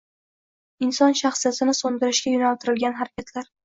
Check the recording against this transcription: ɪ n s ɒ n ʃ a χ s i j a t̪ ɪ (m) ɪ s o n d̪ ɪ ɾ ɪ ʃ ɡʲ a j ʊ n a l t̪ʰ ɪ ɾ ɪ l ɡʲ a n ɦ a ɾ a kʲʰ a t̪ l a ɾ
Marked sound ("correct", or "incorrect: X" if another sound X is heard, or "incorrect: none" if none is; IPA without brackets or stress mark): incorrect: n